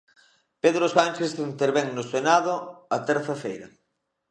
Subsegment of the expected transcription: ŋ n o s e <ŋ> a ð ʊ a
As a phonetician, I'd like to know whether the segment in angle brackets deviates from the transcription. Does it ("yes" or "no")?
yes